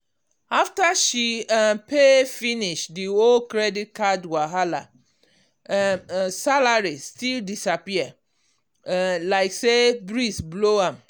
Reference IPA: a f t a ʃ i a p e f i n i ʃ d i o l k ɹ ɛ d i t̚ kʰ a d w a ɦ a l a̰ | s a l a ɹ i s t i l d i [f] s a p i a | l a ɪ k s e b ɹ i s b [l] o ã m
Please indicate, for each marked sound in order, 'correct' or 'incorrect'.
incorrect, correct

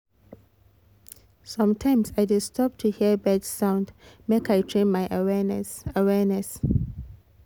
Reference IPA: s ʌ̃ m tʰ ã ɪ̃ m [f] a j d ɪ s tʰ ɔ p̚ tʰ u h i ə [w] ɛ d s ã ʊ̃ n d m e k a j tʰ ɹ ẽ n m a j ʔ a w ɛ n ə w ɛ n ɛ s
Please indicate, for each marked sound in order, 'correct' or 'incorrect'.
incorrect, incorrect

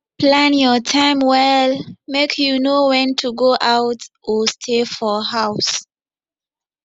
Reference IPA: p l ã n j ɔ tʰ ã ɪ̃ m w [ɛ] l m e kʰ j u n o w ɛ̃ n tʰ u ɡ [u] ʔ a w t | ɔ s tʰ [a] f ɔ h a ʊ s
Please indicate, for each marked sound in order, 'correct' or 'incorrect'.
correct, incorrect, incorrect

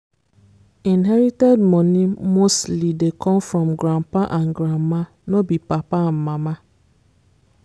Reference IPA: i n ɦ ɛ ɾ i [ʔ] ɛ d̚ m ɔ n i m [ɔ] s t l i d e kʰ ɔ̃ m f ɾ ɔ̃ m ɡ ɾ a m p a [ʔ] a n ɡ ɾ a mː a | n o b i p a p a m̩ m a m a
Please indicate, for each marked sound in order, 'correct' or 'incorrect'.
incorrect, incorrect, correct

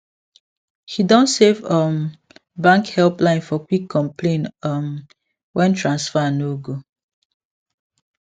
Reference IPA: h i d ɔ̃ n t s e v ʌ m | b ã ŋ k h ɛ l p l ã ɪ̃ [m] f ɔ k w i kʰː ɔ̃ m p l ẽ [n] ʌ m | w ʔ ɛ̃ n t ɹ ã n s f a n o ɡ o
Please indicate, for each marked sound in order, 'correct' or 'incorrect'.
incorrect, correct

